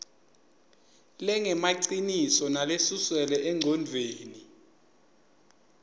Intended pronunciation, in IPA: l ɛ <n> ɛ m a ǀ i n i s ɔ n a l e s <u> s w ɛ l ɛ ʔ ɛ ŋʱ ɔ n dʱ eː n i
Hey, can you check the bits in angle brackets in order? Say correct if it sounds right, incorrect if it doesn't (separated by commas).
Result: incorrect, correct